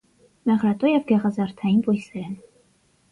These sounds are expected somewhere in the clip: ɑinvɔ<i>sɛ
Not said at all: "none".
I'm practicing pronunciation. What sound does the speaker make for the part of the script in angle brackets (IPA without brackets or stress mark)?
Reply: j